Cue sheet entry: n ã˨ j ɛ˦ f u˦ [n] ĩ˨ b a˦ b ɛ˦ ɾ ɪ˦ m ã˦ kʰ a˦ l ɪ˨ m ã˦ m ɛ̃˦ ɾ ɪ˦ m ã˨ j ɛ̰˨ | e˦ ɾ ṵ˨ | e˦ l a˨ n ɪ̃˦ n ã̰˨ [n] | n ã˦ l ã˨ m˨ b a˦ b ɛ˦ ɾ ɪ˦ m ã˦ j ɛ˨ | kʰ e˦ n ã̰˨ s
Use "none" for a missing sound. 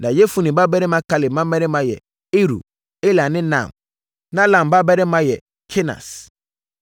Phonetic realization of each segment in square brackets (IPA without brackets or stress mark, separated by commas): n, m